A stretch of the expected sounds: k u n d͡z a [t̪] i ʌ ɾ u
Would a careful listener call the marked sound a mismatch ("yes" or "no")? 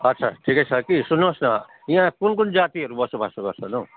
no